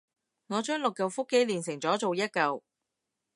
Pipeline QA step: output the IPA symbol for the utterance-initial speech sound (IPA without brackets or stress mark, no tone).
ŋ